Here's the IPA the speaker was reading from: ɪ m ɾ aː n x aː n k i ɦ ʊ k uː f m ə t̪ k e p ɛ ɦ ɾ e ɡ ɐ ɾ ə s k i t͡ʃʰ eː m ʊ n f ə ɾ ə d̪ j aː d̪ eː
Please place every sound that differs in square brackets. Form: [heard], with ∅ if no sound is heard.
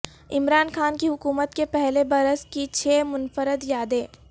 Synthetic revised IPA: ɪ m ɾ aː n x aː n k i ɦ ʊ k uː [∅] m ə t̪ k e p ɛ ɦ [l] e [b] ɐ ɾ ə s k i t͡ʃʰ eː m ʊ n f ə ɾ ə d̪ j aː d̪ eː